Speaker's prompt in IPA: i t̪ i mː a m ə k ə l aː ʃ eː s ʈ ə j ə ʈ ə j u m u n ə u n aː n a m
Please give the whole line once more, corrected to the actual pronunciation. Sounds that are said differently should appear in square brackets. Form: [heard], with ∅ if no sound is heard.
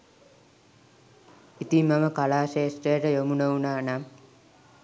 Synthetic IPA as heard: i t̪ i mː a m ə k [a] l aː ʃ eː s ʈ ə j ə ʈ ə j [o] m u n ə u n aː n a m